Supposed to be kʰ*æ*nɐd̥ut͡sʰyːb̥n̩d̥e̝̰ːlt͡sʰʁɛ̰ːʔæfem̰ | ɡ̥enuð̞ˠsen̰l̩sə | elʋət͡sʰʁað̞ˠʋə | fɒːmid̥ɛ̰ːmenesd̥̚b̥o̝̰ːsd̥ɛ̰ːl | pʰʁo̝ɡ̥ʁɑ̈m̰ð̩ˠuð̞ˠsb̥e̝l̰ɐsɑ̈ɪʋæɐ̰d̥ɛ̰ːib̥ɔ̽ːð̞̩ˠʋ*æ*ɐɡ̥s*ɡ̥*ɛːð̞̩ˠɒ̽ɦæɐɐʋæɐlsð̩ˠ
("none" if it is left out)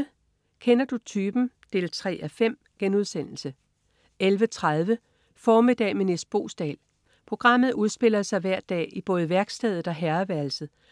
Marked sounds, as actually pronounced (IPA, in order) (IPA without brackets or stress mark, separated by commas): e, æ, d̥